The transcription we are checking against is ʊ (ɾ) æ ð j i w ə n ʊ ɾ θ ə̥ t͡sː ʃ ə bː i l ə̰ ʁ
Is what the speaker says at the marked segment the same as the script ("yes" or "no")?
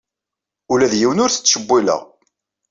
no